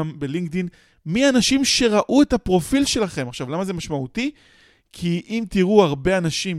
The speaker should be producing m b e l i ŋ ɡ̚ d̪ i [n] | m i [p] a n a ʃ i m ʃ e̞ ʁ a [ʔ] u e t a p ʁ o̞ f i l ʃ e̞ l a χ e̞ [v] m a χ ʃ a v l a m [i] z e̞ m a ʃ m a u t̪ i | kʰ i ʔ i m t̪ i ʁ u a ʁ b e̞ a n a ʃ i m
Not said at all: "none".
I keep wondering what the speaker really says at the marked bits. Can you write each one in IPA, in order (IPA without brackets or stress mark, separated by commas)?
n, none, ʔ, none, a